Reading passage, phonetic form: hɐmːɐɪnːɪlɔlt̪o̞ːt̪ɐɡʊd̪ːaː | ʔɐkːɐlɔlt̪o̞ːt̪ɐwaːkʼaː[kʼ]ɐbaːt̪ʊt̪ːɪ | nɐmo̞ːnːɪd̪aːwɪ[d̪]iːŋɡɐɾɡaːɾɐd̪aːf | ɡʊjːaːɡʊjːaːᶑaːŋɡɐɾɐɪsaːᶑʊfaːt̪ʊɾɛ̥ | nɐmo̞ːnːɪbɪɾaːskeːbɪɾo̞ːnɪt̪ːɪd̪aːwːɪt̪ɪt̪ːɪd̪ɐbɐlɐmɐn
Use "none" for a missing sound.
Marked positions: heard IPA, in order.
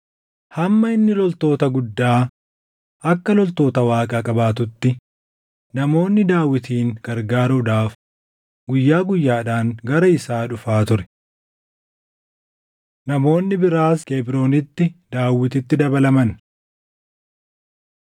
kʼ, t̪

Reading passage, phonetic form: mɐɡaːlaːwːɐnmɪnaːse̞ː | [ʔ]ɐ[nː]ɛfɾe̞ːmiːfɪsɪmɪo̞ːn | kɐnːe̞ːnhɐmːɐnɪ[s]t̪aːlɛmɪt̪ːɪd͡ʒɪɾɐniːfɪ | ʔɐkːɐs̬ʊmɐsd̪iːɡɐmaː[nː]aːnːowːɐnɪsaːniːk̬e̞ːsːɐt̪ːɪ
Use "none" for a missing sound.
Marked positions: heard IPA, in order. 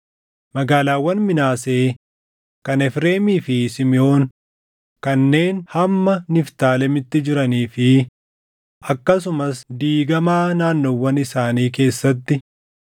k, n, f, n

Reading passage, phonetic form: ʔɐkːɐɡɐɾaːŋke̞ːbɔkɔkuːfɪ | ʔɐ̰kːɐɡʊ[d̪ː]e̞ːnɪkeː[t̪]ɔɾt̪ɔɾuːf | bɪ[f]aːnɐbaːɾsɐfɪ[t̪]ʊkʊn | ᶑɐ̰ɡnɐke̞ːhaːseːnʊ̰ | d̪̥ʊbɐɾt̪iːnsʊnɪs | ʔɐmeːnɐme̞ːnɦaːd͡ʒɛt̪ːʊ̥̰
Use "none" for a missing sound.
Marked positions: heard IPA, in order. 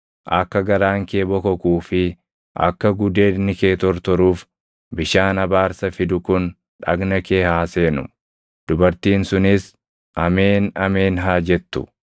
d̪, t̪, ʃ, d̪

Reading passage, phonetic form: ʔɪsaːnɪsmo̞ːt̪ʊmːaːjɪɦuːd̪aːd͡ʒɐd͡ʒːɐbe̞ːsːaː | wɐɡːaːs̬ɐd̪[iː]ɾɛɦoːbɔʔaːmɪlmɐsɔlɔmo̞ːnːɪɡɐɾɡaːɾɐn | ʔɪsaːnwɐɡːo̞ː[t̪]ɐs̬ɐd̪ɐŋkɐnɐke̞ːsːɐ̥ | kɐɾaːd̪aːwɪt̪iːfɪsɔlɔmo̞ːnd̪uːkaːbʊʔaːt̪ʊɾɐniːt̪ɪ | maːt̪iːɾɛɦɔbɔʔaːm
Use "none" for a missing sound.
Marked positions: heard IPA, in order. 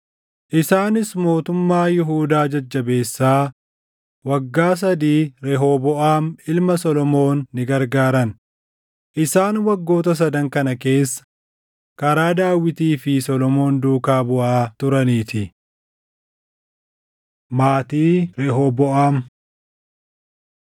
iː, t̪

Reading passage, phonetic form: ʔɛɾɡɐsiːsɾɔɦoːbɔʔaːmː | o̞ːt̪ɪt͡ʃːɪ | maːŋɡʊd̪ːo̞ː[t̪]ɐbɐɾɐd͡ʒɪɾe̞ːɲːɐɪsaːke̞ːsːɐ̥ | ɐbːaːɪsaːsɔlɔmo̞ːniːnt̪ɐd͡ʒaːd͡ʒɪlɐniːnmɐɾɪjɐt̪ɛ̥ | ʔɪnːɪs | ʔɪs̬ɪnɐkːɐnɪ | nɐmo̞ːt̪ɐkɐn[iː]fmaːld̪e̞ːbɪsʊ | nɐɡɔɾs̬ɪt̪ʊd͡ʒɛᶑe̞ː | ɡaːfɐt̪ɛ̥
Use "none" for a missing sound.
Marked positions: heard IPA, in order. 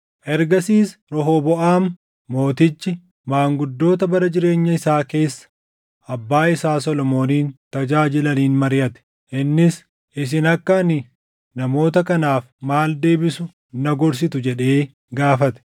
t̪, aː

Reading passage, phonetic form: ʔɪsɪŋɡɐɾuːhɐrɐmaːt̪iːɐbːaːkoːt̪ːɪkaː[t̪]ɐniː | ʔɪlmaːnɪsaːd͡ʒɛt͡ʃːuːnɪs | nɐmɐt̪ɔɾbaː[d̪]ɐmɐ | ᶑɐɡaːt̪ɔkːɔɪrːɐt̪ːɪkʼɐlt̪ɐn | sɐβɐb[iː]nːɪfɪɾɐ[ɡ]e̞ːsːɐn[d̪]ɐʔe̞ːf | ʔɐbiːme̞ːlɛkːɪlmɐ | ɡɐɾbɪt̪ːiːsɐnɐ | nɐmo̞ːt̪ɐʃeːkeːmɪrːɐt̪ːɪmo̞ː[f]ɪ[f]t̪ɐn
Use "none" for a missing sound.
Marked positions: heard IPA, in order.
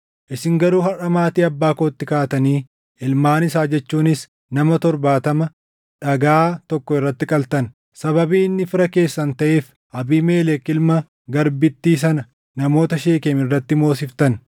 t̪, t̪, iː, k, t̪, s, f

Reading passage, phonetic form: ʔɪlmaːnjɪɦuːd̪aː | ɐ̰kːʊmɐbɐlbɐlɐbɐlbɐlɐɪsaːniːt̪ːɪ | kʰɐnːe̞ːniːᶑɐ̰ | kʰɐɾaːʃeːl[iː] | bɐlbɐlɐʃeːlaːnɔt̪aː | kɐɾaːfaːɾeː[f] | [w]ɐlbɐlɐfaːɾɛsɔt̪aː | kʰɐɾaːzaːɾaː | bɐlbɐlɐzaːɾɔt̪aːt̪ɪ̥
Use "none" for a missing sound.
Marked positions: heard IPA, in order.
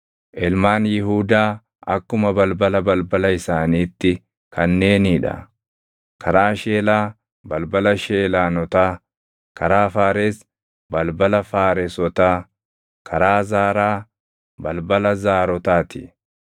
aː, s, b

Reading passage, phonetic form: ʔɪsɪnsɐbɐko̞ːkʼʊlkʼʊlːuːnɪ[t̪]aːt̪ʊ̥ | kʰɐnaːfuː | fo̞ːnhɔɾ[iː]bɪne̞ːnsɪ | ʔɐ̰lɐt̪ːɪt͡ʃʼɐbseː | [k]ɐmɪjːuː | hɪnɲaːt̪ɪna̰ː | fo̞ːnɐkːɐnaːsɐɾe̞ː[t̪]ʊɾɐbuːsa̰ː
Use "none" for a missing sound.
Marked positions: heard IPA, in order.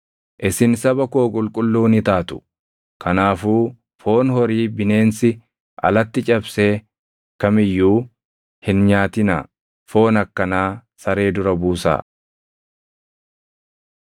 t̪, iː, k, d̪

